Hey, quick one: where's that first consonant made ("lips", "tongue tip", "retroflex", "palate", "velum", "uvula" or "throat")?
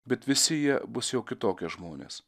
lips